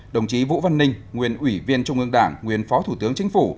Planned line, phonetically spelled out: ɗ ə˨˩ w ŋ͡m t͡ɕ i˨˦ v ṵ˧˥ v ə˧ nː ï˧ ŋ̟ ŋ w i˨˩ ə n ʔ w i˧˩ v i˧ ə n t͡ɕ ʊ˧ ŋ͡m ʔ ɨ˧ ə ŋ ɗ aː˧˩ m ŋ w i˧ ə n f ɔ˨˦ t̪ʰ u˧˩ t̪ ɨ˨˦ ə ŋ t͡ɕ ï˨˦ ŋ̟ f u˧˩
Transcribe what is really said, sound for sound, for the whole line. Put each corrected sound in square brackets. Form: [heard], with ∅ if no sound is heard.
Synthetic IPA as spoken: ɗ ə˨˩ w ŋ͡m t͡ɕ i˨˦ v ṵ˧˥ v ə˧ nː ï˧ ŋ̟ ŋ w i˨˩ ə n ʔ w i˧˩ v i˧ ə n t͡ɕ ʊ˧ ŋ͡m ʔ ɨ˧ ə ŋ ɗ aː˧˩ [ŋ] ŋ w [i˨˩] ə n f ɔ˨˦ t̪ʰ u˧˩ t̪ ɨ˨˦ ə ŋ t͡ɕ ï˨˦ ŋ̟ f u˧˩